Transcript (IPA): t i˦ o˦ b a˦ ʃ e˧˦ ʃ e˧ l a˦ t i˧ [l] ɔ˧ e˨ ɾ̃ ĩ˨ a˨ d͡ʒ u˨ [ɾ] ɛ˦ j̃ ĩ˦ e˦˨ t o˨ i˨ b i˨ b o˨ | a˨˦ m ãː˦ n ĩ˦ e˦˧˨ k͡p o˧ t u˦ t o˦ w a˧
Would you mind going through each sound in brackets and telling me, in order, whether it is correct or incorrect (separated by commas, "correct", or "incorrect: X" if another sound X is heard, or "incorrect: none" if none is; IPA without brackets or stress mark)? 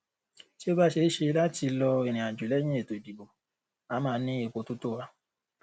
correct, incorrect: l